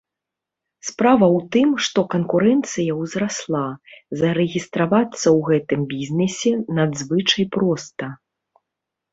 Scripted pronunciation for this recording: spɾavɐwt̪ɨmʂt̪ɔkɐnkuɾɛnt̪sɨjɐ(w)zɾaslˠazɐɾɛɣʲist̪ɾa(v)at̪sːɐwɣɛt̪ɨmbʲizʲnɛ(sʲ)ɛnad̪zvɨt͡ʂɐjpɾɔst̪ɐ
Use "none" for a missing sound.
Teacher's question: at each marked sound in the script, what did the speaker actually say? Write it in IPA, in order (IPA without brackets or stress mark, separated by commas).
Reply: w, v, sʲ